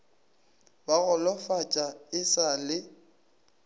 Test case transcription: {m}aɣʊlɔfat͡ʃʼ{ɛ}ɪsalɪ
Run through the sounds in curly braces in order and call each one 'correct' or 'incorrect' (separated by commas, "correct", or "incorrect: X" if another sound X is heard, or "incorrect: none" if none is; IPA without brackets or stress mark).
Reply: incorrect: b, incorrect: a